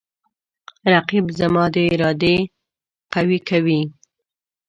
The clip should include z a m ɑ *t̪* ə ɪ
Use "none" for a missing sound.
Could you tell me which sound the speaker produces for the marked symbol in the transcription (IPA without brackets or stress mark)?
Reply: d̪